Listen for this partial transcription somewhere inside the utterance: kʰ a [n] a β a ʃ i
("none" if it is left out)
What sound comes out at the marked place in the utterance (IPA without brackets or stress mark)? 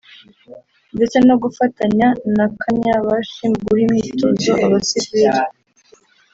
ɲ